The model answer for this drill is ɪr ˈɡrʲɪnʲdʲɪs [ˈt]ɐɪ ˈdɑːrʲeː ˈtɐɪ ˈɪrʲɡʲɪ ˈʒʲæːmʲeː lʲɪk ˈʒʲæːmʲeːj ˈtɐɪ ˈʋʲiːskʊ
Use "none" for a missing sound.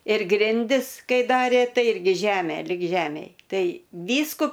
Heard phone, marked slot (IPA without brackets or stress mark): k